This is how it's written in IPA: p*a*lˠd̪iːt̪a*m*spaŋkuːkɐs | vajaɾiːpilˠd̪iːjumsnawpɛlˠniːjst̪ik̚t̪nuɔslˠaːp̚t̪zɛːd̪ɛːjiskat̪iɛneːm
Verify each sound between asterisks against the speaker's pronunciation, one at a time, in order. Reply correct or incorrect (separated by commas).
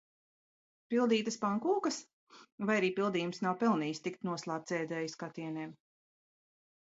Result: incorrect, incorrect